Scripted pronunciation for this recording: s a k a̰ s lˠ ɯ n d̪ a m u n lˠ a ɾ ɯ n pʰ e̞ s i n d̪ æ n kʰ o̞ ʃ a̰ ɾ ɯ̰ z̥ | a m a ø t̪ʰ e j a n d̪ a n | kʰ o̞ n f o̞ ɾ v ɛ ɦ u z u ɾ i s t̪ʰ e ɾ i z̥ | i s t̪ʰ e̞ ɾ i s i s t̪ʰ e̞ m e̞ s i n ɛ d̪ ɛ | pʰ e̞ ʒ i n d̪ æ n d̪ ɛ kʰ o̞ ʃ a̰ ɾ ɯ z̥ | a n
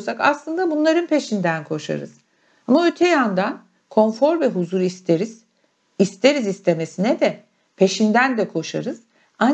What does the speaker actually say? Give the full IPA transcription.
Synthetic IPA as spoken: s a k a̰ s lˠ ɯ n d̪ a b u n lˠ a ɾ ɯ n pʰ e̞ ʃ i n d̪ æ n kʰ o̞ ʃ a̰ ɾ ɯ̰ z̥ | a m a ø t̪ʰ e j a n d̪ a n | kʰ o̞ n f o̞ ɾ v ɛ ɦ u z u ɾ i s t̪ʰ e ɾ i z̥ | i s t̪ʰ e̞ ɾ i z i s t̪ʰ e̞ m e̞ s i n ɛ d̪ ɛ | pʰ e̞ ʃ i n d̪ æ n d̪ ɛ kʰ o̞ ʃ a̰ ɾ ɯ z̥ | a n